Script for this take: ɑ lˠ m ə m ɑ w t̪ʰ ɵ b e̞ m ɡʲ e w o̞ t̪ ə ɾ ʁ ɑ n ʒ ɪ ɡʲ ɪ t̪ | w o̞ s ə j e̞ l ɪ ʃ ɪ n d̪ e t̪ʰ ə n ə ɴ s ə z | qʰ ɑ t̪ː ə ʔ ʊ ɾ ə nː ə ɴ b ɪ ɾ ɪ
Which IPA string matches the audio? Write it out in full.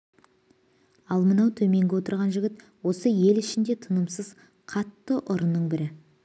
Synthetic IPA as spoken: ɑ lˠ m ə n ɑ w t̪ʰ ɵ m e̞ ŋ ɡʲ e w o̞ t̪ ə ɾ ʁ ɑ n ʒ ɪ ɡʲ ɪ t̪ | w o̞ s ə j e̞ l ɪ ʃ ɪ n d̪ e t̪ʰ ə n ə m s ə z | qʰ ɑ t̪ː ə ʔ ʊ ɾ ə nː ə ɴ b ɪ ɾ ɪ